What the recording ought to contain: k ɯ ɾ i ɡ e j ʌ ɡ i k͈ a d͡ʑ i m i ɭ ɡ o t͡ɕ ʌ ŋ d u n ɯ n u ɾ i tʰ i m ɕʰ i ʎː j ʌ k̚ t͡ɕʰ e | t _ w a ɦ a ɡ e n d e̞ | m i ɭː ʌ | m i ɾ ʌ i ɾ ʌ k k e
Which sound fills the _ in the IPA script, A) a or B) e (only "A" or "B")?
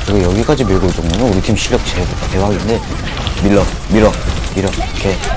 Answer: B